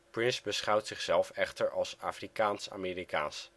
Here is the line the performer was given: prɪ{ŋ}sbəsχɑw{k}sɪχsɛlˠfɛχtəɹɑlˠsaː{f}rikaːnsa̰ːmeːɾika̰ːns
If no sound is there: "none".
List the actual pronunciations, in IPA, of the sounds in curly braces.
n, t, f

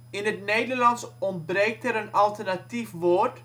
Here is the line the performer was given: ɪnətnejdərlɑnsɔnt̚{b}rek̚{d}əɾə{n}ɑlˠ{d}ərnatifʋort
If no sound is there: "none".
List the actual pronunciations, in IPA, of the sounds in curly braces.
b, t, n, t

